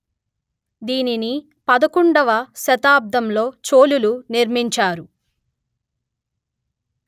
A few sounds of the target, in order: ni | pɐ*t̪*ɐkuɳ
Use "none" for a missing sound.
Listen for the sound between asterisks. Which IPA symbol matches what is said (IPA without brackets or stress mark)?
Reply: d̪